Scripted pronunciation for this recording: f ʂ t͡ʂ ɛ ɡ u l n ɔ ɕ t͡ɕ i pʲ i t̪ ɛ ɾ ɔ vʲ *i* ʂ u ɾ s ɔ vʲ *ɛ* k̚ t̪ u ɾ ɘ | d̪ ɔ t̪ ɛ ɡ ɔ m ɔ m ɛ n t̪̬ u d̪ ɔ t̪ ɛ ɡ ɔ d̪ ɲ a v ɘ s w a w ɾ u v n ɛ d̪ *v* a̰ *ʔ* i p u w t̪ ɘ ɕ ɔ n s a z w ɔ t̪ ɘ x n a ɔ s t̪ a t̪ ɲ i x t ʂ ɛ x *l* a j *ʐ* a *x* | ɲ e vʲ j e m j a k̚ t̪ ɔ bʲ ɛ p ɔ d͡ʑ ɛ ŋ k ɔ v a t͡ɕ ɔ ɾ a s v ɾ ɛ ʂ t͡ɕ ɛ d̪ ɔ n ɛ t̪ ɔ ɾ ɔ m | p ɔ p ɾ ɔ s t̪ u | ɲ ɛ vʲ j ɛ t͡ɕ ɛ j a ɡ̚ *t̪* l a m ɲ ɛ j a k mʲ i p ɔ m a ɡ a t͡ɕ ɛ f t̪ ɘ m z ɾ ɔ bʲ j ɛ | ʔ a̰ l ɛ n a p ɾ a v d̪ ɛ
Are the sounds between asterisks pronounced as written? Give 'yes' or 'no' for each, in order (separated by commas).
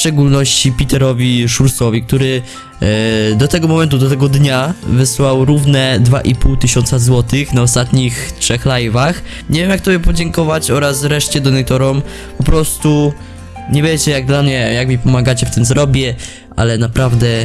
yes, no, yes, yes, yes, no, yes, no